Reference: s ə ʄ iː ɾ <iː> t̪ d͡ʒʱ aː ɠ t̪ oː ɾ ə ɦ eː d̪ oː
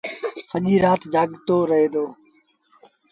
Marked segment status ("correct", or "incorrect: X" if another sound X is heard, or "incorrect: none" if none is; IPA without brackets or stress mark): incorrect: aː